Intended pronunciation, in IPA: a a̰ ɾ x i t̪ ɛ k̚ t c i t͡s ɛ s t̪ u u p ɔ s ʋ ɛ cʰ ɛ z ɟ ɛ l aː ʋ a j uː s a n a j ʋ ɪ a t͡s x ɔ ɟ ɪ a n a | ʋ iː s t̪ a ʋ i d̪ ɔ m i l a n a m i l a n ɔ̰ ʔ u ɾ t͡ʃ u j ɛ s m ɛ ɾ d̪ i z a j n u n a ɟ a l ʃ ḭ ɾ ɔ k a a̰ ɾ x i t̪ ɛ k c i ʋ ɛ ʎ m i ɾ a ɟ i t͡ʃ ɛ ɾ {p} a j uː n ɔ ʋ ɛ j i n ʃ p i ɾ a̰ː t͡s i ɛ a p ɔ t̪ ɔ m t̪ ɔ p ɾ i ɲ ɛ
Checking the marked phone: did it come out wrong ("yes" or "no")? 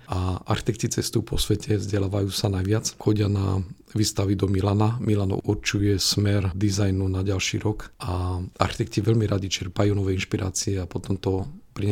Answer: no